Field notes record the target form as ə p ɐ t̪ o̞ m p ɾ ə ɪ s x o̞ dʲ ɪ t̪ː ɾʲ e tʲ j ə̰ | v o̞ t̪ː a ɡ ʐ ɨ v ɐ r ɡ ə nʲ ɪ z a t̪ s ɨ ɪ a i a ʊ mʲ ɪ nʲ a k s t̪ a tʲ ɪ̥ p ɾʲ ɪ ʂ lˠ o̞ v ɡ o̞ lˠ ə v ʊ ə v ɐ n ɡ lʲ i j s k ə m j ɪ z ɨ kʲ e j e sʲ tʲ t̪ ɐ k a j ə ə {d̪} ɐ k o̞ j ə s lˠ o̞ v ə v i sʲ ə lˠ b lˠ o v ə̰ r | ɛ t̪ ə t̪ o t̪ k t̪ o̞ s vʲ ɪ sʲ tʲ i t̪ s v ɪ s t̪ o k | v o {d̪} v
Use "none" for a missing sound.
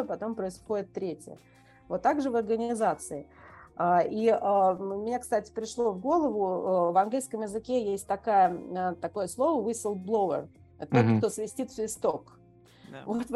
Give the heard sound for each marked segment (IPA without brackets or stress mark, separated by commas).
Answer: t̪, t̪